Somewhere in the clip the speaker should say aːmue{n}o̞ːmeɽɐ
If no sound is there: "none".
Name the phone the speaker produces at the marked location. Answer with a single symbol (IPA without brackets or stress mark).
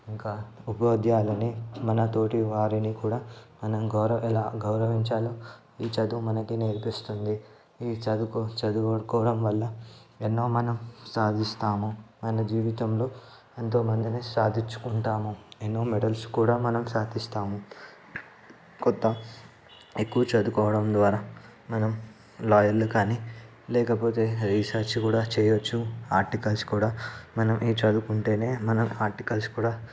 nː